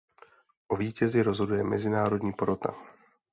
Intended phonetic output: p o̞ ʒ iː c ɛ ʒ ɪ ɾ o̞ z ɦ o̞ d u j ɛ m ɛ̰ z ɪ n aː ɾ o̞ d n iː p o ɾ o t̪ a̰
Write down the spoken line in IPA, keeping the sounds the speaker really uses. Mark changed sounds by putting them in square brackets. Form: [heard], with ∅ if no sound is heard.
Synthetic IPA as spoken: [ʔ] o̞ [v] iː c ɛ [z] ɪ ɾ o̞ z ɦ o̞ d u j ɛ m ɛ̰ z ɪ n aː ɾ o̞ d [ɲ] iː p o ɾ o t̪ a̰